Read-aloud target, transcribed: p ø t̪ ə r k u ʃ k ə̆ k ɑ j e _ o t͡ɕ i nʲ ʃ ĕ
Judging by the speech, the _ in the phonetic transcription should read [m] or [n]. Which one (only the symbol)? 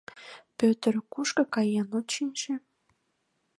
n